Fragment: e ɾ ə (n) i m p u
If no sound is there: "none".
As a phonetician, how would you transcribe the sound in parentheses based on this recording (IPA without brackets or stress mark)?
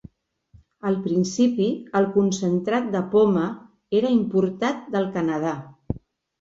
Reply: none